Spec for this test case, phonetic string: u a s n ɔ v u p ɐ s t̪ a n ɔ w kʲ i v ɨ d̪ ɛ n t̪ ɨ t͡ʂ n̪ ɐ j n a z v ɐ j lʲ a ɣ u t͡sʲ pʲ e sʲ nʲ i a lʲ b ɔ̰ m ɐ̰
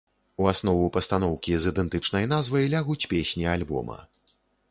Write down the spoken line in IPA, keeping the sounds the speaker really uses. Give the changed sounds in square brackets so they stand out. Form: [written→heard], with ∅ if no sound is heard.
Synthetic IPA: u a s n ɔ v u p ɐ s t̪ a n ɔ w kʲ i [v→z] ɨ d̪ ɛ n t̪ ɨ t͡ʂ n̪ ɐ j n a z v ɐ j lʲ a ɣ u t͡sʲ pʲ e sʲ nʲ i a lʲ b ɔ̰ m ɐ̰